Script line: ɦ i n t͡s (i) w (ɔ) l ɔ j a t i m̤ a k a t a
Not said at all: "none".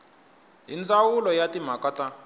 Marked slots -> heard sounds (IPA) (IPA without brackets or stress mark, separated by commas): a, u